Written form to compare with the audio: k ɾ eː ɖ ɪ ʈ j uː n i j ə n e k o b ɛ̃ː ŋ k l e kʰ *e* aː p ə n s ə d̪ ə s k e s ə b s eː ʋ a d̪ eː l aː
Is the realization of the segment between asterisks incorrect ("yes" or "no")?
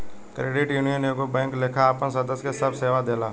yes